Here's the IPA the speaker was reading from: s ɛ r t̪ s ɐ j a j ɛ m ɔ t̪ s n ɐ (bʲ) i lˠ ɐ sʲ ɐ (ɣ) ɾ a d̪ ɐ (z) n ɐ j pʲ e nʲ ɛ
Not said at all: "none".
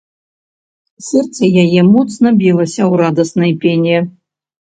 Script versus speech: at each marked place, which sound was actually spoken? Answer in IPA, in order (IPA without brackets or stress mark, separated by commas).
bʲ, w, s